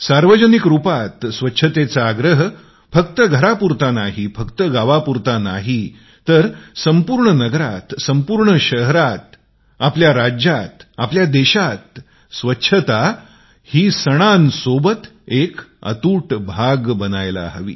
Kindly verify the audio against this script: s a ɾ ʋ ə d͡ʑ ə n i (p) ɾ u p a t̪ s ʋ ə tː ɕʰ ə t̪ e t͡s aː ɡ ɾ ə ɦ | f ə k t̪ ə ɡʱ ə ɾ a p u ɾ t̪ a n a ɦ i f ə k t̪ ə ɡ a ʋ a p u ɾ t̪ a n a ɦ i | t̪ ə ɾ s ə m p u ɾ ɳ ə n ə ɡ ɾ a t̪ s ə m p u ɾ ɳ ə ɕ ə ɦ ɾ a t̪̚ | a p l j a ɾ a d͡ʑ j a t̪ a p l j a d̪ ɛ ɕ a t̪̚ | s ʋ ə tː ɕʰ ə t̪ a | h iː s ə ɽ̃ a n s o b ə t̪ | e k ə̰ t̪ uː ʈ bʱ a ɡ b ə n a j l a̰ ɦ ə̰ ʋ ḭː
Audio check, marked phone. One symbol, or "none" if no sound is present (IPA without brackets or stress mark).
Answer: k